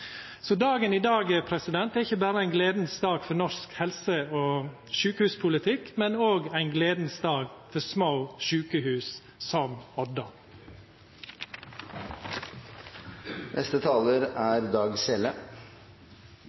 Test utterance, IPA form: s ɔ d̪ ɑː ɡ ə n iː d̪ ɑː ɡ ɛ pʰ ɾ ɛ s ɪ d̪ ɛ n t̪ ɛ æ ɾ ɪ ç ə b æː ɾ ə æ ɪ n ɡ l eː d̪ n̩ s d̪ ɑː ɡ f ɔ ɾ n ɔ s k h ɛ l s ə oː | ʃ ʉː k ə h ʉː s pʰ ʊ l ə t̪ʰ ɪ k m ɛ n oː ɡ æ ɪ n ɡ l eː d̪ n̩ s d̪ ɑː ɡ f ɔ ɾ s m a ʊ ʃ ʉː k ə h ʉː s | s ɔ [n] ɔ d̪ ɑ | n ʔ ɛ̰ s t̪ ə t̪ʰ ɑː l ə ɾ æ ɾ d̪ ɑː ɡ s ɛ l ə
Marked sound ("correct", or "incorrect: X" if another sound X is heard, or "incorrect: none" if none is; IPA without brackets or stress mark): incorrect: m